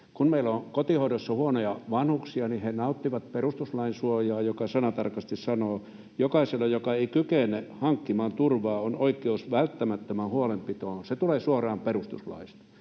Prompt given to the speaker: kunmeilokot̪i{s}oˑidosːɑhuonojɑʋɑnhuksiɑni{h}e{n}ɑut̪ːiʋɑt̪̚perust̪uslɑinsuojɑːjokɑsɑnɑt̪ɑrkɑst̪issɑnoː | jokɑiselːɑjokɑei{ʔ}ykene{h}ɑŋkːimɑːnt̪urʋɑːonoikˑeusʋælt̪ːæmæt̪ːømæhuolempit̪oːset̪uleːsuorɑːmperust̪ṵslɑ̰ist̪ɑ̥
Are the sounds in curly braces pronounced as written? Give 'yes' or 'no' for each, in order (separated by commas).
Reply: no, yes, yes, no, yes